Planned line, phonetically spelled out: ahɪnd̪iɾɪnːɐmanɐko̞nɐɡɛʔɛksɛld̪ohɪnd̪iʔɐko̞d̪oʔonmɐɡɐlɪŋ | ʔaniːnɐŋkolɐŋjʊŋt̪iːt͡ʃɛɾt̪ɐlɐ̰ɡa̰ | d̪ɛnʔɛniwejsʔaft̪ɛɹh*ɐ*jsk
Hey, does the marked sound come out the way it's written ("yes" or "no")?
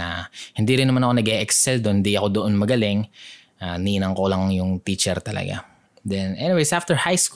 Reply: no